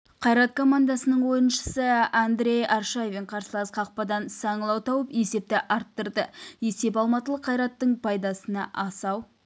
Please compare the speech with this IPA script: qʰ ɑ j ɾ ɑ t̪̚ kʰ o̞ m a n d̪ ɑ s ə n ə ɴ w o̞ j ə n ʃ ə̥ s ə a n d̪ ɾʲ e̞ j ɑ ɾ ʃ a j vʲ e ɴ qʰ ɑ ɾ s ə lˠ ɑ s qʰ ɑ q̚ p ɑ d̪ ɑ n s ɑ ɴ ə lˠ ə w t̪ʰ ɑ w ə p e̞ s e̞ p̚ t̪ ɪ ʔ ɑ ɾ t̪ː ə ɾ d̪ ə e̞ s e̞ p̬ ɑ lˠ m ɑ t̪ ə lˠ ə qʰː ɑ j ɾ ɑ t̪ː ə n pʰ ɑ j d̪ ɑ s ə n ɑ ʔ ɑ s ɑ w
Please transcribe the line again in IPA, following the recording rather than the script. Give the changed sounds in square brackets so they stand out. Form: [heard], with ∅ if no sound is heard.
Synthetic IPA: qʰ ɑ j ɾ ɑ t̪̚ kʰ o̞ m a n d̪ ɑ s ə n ə ɴ w o̞ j ə n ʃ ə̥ s ə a n d̪ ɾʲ e̞ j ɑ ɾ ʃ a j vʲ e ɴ qʰ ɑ ɾ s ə lˠ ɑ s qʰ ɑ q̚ p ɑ d̪ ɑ n s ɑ ɴ ə lˠ [ɑ] w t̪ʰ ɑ w ə p e̞ s e̞ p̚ t̪ ɪ ʔ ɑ ɾ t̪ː ə ɾ d̪ ə e̞ s e̞ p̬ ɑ lˠ m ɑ t̪ ə lˠ ə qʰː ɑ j ɾ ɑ t̪ː ə [ɴ] pʰ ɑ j d̪ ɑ s ə n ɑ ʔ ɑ s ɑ w